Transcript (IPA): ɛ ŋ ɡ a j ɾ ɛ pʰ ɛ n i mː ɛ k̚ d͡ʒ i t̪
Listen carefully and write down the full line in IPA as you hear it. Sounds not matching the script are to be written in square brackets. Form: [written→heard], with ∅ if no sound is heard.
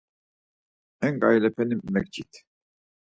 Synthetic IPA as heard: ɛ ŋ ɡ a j [ɾ→l] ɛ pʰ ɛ n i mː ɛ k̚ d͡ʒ i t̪